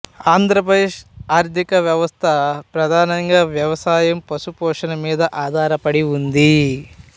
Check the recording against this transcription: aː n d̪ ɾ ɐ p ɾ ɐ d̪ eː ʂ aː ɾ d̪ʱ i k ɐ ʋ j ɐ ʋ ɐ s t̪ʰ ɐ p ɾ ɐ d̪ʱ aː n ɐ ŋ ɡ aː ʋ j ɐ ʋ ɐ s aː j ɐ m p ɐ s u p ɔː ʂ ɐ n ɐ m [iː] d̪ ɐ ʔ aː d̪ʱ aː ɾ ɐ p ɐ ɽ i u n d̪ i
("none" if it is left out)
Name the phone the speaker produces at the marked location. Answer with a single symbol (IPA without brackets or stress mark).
iː